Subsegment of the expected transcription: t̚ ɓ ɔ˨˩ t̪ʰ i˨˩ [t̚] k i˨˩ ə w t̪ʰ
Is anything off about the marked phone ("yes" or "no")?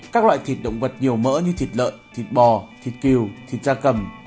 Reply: no